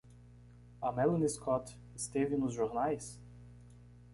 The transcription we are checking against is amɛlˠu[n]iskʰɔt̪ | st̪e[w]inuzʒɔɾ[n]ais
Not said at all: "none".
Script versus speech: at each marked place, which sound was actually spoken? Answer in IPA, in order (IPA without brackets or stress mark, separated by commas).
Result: n, v, n